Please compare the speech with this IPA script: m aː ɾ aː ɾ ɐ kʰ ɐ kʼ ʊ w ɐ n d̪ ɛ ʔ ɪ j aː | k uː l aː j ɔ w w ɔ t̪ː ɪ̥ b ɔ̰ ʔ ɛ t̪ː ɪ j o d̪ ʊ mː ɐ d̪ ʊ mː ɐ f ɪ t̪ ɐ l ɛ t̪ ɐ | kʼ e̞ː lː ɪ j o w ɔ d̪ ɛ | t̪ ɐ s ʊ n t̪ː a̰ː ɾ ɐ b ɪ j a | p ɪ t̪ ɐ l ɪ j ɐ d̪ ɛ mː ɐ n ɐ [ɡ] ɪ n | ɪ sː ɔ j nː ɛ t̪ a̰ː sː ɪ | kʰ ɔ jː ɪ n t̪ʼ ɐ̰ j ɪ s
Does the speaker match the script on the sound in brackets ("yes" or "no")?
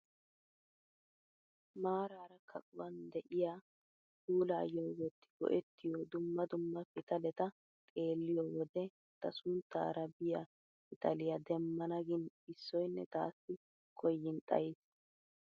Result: yes